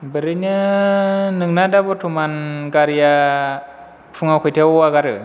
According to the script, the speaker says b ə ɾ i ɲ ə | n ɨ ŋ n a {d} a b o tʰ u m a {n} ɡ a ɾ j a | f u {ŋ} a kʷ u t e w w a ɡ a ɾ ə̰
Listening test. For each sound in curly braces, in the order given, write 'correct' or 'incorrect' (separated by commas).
correct, correct, correct